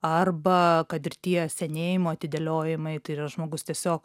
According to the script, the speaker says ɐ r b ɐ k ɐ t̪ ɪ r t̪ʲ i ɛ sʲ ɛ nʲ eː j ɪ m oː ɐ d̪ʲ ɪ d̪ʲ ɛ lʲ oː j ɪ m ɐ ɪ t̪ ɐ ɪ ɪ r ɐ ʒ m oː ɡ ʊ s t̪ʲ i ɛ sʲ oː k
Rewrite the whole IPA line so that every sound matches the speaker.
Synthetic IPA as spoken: ɐ r b ɐ k ɐ t̪ ɪ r t̪ʲ i ɛ sʲ ɛ nʲ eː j ɪ m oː ɐ t̪ʲ ɪ d̪ʲ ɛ lʲ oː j ɪ m ɐ ɪ t̪ ɐ ɪ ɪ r ɐ ʒ m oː ɡ ʊ s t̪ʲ i ɛ sʲ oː k